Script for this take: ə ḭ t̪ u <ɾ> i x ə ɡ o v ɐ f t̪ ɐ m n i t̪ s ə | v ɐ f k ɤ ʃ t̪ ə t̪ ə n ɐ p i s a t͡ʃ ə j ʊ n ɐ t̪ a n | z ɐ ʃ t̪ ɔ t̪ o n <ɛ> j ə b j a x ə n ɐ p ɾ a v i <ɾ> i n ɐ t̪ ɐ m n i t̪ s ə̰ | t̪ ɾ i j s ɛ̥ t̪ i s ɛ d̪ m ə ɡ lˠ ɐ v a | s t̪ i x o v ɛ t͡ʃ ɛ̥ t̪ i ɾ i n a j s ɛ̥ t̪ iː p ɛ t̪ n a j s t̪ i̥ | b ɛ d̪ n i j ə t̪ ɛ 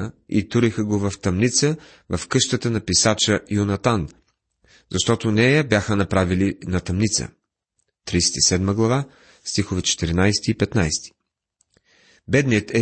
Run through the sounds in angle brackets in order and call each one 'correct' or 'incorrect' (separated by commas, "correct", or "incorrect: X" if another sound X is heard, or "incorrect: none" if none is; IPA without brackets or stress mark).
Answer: correct, correct, incorrect: l